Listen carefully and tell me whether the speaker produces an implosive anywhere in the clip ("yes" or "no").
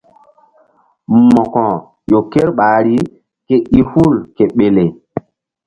yes